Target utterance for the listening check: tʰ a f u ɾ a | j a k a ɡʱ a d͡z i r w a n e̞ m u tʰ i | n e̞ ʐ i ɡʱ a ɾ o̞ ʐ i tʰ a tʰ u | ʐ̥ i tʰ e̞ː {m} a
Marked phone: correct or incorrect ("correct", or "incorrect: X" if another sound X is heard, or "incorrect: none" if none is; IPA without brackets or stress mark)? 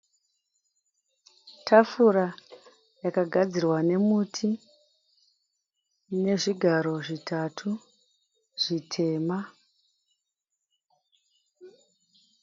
correct